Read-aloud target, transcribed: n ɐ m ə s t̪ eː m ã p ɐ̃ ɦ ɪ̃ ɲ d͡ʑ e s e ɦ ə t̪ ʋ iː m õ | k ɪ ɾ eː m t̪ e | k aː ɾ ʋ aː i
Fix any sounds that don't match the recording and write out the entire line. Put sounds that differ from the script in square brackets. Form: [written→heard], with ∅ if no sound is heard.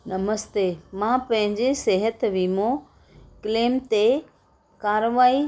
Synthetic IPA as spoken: n ɐ m ə s t̪ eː m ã p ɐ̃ ɦ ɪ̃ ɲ d͡ʑ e s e ɦ ə t̪ ʋ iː m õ | k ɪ [ɾ→l] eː m t̪ e | k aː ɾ ʋ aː i